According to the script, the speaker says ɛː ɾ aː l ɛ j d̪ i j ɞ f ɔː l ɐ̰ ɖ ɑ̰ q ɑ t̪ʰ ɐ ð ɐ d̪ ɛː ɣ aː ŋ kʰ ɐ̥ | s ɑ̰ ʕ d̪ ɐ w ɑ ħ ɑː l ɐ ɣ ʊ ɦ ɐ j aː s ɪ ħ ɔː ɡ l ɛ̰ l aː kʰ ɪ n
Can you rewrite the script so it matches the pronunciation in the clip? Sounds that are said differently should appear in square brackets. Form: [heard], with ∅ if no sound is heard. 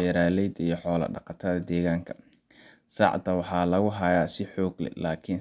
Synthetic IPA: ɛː ɾ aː l ɛ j d̪ i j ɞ [ħ] ɔː l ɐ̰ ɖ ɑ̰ q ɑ t̪ʰ ɐ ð ɐ d̪ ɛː ɣ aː ŋ kʰ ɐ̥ | s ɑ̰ ʕ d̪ ɐ w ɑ ħ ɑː l ɐ ɣ ʊ ɦ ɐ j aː s ɪ ħ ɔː ɡ l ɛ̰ l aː kʰ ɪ n